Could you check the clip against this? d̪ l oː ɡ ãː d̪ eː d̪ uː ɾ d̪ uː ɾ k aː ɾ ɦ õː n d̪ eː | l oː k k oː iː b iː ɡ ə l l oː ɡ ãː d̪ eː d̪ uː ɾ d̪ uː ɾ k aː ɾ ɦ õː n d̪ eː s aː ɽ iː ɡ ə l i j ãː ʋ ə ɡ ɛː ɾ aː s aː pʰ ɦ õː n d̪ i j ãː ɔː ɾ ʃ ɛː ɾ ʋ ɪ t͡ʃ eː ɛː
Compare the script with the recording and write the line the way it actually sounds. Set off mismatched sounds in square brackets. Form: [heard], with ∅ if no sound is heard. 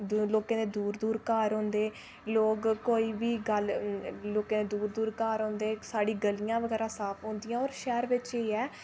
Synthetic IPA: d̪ l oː [k] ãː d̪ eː d̪ uː ɾ d̪ uː ɾ k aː ɾ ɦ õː n d̪ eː | l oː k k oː iː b iː ɡ ə l l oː [k] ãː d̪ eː d̪ uː ɾ d̪ uː ɾ k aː ɾ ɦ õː n d̪ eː s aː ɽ iː ɡ ə l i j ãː ʋ ə ɡ ɛː ɾ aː s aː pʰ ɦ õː n d̪ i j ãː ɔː ɾ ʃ ɛː ɾ ʋ ɪ t͡ʃ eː ɛː